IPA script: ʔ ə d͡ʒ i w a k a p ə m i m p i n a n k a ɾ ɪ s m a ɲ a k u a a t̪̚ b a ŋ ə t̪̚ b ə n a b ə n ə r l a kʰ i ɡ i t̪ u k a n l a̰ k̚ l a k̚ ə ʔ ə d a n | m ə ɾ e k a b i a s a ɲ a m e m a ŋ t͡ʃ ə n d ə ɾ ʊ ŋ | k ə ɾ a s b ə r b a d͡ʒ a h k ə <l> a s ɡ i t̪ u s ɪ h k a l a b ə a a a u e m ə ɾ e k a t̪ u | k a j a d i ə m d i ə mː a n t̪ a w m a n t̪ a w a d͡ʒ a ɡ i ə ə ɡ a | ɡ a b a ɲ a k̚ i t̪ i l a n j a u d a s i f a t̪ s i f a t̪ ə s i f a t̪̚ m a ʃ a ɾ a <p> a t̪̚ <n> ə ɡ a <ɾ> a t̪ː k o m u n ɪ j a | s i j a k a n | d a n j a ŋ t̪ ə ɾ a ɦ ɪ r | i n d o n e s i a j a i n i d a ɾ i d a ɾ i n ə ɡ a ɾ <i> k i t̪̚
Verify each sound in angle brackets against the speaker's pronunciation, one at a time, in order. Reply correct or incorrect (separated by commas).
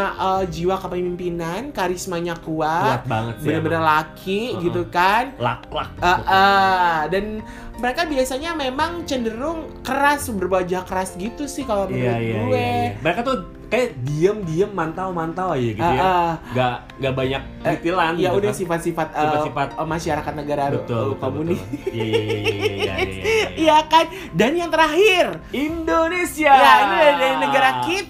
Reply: incorrect, incorrect, correct, correct, incorrect